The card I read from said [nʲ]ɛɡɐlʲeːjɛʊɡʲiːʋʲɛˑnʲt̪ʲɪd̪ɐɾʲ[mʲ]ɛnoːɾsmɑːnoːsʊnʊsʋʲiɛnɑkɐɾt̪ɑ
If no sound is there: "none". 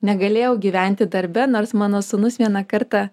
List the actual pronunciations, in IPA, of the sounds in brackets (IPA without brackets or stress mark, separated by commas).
nʲ, bʲ